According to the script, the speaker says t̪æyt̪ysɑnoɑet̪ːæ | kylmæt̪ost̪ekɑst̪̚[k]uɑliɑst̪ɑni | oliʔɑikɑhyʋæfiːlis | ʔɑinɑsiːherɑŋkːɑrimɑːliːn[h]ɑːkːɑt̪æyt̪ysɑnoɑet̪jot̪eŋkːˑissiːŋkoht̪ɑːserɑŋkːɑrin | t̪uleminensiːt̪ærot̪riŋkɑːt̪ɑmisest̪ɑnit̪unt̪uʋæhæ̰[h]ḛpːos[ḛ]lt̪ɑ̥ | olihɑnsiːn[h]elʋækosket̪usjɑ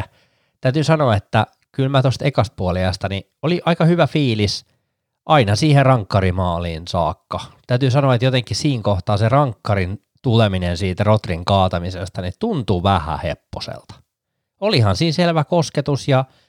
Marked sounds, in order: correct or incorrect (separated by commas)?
incorrect, incorrect, correct, correct, incorrect